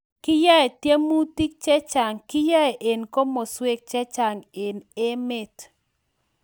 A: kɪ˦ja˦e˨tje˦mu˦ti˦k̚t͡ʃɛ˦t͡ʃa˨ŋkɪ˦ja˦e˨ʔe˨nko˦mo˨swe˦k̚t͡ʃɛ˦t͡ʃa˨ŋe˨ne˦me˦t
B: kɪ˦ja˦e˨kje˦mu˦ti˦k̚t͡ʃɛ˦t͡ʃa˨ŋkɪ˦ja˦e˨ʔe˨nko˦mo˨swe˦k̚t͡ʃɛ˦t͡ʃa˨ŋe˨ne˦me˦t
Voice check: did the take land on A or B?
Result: A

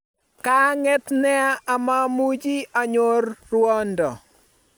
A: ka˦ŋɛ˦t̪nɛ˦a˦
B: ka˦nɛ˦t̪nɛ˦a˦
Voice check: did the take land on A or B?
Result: A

